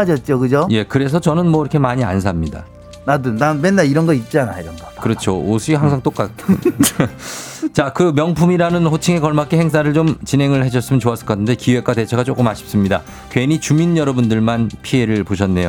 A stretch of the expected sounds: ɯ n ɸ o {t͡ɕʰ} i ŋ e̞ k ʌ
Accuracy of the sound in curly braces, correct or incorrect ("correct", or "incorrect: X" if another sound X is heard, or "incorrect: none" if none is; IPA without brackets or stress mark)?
correct